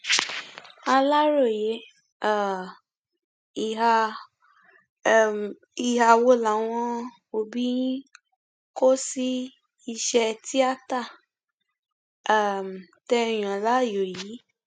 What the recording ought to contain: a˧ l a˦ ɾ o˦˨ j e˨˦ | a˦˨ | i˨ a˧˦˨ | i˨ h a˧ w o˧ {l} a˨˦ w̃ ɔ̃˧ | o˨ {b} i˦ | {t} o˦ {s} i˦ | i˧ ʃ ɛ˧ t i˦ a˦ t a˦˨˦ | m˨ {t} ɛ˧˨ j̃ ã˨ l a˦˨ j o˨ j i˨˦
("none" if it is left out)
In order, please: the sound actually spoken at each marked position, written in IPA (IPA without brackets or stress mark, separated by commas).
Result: l, b, k, s, t